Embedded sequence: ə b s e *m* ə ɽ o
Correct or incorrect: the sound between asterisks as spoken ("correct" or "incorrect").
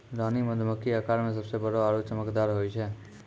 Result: incorrect